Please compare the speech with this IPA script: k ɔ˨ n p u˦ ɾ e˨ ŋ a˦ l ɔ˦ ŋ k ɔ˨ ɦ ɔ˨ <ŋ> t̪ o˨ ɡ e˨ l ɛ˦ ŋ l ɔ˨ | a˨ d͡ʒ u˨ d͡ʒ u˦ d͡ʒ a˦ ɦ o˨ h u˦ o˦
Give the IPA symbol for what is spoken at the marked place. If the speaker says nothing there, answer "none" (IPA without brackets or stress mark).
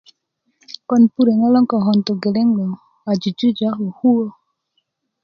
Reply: n